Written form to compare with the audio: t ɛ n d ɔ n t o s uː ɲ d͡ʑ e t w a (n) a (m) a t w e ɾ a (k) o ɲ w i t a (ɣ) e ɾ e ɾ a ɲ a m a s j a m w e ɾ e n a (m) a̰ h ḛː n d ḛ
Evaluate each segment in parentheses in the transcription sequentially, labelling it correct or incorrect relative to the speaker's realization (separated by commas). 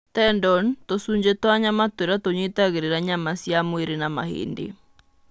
incorrect, correct, incorrect, correct, correct